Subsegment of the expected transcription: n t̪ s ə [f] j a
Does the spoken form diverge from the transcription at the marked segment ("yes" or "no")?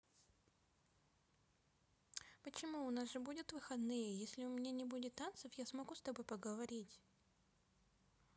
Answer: no